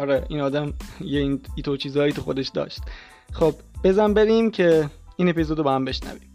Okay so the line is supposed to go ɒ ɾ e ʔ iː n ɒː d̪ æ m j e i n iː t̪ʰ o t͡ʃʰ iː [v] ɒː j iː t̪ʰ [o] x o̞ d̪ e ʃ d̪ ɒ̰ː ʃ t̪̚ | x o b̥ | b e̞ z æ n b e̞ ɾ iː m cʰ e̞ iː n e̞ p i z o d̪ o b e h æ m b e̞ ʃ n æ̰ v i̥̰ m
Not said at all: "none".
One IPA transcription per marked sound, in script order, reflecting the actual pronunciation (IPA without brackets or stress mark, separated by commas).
z, u